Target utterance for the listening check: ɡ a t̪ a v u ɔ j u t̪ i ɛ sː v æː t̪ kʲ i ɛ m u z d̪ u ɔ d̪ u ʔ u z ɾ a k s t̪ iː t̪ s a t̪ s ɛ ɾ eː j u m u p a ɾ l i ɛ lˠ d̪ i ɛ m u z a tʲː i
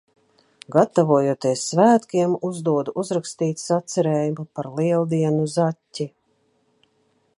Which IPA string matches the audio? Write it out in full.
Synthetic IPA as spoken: ɡ a t̪ a v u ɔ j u t̪ i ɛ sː v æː t̪ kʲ i ɛ m u z d̪ u ɔ d̪ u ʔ u z ɾ a k s t̪ iː t̪ s a t̪ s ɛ ɾ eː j u m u p a ɾ l i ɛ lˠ d̪ i ɛ n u z a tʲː i